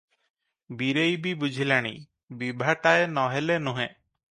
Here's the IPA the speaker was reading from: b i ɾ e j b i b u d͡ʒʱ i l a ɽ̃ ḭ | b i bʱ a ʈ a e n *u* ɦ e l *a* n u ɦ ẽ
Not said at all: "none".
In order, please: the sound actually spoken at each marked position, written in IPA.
ɔ, e

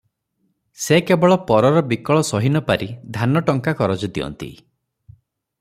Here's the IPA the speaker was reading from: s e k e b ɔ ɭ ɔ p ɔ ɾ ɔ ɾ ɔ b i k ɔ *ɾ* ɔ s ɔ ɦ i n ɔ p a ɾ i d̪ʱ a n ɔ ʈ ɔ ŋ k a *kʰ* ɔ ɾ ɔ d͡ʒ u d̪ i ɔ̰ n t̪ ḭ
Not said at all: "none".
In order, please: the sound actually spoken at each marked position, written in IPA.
ɭ, k

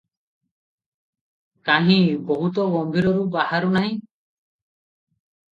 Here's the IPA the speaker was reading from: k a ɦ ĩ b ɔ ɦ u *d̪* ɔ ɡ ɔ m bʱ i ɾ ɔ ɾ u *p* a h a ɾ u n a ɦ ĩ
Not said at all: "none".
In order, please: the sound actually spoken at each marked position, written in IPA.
t̪, b

